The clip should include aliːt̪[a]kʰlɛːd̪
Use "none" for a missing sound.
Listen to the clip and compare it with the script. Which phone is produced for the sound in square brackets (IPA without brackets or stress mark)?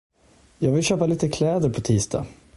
ə